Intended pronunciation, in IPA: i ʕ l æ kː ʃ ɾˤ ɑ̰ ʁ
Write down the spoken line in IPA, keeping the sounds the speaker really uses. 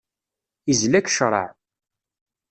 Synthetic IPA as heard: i z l æ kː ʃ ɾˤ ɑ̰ ʕ